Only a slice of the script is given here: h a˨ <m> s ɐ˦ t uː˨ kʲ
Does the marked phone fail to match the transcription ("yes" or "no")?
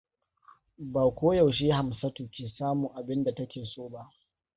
no